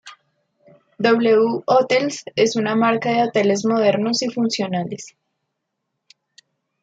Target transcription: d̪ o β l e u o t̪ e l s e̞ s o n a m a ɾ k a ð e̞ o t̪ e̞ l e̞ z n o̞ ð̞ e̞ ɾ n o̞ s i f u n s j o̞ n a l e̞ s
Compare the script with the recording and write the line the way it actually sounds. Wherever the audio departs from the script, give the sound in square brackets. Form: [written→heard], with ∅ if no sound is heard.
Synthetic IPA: d̪ o β l e u o t̪ e l s e̞ s [o→u] n a m a ɾ k a ð e̞ o t̪ e̞ l e̞ z [n→m] o̞ ð̞ e̞ ɾ n o̞ s i f u n s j o̞ n a l e̞ s